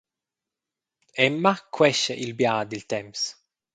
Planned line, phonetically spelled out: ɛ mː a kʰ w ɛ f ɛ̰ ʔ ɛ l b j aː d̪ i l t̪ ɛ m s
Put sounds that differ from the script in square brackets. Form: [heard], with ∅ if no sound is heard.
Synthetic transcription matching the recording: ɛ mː a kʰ w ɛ [ʃ] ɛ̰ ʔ [i] l b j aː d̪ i l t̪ ɛ m s